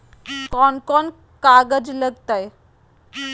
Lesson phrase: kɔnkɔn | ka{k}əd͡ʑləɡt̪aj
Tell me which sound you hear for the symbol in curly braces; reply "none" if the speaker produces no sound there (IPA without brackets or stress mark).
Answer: ɡ